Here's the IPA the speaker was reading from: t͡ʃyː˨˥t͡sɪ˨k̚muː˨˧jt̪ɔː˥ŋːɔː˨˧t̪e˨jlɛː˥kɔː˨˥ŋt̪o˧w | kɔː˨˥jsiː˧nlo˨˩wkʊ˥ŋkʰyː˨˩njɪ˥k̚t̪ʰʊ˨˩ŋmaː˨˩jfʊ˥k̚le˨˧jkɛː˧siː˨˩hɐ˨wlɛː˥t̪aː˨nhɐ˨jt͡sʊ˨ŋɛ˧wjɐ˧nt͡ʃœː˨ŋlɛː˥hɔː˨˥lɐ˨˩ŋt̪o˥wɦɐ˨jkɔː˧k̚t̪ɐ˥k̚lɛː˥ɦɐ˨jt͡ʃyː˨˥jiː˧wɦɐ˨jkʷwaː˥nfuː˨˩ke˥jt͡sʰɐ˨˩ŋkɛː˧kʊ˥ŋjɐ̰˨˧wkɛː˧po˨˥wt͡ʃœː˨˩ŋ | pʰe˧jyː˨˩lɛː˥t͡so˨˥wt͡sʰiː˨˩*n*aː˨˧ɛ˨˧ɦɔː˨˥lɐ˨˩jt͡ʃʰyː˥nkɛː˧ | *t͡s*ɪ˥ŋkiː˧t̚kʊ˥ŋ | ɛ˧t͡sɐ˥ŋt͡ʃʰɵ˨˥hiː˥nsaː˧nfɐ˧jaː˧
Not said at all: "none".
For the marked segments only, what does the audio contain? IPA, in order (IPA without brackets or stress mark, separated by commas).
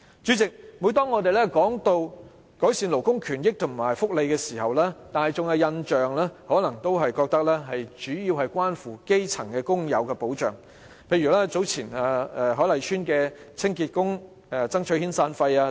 n, t͡sʰ